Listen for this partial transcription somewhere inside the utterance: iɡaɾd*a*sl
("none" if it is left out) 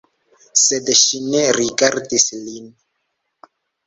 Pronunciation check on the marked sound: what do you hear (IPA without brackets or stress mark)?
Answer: i